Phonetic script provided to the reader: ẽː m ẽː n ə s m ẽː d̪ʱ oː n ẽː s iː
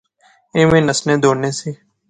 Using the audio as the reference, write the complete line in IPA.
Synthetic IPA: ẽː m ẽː n ə s n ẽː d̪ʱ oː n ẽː s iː